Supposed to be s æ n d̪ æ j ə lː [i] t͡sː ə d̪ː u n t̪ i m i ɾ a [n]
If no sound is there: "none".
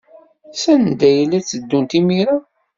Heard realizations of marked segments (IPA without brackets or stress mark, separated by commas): æ, none